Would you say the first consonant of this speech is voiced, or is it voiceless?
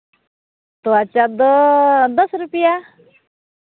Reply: voiceless